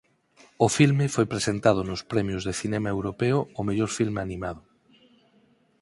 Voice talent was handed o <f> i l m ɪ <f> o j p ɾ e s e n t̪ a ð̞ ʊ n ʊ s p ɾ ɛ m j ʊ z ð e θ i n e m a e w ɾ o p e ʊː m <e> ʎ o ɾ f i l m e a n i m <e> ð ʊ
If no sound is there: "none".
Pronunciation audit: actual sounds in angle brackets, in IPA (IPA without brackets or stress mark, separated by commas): f, f, e, a